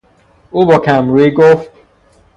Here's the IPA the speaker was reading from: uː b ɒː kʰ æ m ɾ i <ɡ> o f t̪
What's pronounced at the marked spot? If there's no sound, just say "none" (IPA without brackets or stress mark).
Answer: ɡ